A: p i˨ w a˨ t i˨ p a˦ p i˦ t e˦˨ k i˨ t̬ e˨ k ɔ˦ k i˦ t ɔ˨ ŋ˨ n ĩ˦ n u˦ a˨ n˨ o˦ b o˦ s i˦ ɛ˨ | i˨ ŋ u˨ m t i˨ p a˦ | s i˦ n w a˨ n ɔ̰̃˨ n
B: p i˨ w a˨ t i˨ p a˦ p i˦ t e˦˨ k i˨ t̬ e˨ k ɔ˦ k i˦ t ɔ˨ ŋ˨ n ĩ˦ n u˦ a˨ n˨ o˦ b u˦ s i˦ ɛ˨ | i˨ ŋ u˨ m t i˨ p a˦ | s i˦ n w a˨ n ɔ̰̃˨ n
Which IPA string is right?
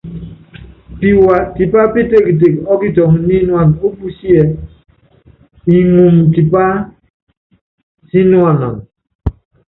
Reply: B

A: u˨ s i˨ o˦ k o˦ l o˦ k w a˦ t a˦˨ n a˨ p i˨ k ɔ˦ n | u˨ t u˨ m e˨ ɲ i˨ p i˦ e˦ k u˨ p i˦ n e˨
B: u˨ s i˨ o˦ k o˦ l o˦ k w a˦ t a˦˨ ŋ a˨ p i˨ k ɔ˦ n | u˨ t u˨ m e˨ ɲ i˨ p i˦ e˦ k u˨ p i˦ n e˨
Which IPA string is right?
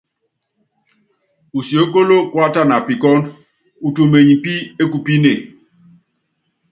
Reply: A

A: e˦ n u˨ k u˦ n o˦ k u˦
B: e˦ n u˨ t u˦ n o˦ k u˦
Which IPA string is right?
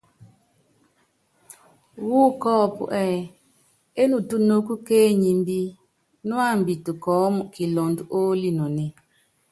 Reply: B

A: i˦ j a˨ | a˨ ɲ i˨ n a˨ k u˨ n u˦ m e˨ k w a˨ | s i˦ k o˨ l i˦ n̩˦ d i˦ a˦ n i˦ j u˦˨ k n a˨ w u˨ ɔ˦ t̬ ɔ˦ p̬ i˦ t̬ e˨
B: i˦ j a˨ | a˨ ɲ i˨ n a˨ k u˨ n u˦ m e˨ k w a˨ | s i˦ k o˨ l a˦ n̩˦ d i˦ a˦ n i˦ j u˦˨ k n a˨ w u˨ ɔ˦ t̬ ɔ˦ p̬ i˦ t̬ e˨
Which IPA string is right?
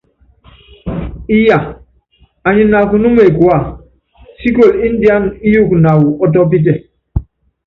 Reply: A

